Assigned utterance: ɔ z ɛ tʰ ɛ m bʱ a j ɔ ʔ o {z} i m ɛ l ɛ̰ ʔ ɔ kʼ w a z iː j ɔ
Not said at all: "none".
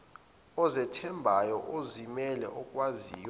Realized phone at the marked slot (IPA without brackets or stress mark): z